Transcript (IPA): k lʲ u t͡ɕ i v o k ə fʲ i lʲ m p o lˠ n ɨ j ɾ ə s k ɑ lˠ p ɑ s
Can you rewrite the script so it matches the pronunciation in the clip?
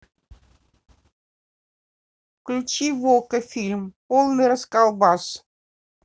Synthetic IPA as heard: k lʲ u t͡ɕ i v o k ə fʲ i lʲ m p o lˠ n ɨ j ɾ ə s k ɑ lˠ b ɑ s